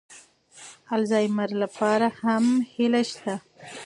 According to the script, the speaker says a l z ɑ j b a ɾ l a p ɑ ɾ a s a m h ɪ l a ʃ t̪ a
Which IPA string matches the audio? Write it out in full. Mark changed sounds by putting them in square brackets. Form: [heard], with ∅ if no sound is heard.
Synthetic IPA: a l z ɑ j [m] a ɾ l a p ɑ ɾ a [h] a m h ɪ l a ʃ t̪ a